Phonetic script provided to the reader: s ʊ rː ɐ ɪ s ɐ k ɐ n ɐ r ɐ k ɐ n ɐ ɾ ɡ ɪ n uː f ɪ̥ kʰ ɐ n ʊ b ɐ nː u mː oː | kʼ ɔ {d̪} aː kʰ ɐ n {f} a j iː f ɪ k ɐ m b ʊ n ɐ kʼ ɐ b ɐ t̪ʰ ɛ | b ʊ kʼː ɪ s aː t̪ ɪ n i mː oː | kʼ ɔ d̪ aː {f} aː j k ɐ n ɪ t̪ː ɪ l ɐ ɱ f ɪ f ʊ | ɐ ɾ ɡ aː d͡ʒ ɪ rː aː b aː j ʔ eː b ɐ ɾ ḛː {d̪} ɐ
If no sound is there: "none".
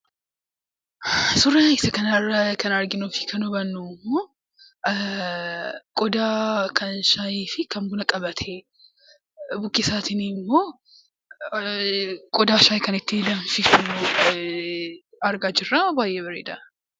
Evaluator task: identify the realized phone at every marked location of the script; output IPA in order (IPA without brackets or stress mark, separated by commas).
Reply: d̪, ʃ, ʃ, d̪